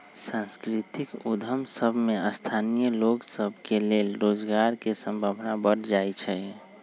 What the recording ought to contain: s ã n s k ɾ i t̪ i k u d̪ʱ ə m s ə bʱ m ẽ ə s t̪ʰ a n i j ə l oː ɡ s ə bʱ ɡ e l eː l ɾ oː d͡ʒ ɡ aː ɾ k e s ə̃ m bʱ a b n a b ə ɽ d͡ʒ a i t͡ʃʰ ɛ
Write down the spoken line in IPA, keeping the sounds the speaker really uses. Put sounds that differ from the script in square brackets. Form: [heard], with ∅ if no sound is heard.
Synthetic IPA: s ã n s k ɾ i t̪ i k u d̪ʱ ə m s ə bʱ m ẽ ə s t̪ʰ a n i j ə l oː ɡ s ə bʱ [k] e l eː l ɾ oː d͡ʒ ɡ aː ɾ k e s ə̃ m bʱ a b n a b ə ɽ d͡ʒ a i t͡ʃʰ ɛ